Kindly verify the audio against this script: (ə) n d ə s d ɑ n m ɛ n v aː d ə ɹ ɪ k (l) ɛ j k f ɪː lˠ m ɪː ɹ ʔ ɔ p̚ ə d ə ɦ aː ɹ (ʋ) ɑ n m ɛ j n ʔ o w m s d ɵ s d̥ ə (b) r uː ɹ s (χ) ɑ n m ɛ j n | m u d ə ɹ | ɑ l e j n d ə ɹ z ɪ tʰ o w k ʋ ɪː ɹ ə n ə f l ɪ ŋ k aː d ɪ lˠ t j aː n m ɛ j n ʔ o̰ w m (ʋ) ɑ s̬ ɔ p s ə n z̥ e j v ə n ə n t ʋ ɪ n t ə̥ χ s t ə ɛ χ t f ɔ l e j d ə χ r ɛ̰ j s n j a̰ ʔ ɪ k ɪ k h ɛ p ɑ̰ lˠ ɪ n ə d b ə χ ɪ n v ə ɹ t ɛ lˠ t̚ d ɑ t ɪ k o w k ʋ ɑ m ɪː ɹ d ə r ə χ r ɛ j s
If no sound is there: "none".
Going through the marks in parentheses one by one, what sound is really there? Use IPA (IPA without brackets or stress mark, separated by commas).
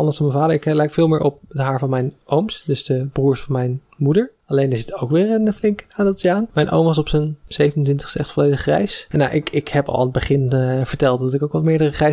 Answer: ɑ, l, v, b, f, ʋ